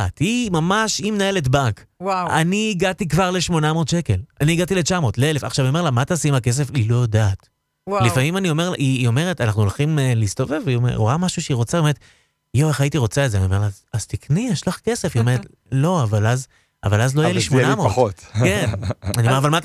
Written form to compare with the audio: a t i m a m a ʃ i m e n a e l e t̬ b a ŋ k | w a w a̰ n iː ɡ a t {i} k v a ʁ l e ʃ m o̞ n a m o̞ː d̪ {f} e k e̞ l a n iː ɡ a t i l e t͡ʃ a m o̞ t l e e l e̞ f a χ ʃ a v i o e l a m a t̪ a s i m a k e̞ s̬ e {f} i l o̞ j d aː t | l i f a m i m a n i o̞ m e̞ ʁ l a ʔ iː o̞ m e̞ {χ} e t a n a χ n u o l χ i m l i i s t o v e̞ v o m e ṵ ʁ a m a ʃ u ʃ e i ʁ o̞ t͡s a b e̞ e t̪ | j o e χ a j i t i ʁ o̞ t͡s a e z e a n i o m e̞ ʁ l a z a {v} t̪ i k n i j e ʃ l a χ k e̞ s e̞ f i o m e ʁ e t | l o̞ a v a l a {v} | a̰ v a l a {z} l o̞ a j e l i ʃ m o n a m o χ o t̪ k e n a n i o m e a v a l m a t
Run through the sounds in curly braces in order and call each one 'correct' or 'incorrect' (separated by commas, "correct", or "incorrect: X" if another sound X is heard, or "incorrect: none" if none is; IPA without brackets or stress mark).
correct, incorrect: ʃ, correct, incorrect: ʁ, incorrect: z, incorrect: z, correct